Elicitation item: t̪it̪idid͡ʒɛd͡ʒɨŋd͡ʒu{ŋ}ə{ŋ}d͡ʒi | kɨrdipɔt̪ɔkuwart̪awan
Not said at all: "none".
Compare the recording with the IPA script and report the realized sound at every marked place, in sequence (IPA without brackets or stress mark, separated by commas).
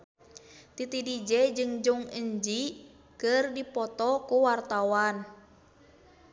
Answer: ŋ, ɲ